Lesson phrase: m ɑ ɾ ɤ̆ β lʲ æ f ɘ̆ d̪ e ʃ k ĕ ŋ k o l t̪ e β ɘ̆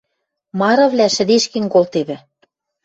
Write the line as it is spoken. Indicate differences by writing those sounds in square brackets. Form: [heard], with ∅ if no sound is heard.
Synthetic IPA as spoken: m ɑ ɾ ɤ̆ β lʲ æ [ʃ] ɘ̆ d̪ e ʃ k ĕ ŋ k o l t̪ e β ɘ̆